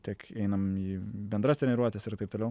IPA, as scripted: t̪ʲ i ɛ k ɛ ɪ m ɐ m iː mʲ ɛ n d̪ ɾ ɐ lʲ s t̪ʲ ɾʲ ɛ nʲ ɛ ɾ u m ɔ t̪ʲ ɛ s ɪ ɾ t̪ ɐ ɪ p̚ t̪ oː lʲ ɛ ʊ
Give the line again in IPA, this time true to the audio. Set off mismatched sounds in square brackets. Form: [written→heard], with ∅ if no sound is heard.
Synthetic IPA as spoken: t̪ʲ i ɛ k ɛ ɪ [m→n] ɐ m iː [mʲ→bʲ] ɛ n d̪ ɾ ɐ [lʲ→∅] s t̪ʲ ɾʲ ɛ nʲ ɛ ɾ u [m→∅] ɔ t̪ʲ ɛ s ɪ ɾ t̪ ɐ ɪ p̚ t̪ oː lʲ ɛ ʊ